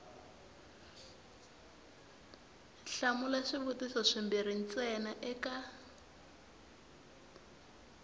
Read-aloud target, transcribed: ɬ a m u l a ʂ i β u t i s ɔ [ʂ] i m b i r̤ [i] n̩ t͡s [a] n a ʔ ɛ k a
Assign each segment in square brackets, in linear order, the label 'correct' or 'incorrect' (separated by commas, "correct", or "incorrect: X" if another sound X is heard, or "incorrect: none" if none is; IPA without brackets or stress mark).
correct, correct, incorrect: ɛ